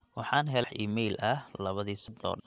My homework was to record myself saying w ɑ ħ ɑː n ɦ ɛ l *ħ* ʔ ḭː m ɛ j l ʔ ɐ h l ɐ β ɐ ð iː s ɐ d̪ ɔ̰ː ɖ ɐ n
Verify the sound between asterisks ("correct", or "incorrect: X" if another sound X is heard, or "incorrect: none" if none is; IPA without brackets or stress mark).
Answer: correct